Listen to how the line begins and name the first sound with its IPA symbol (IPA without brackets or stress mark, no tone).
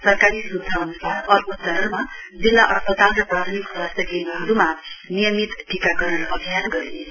s